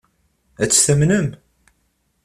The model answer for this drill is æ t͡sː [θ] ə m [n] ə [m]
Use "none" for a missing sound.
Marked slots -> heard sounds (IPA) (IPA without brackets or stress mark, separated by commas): θ, n, m